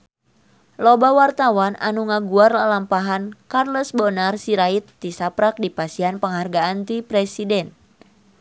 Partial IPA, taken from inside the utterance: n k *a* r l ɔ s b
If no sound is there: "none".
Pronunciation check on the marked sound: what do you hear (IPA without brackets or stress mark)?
a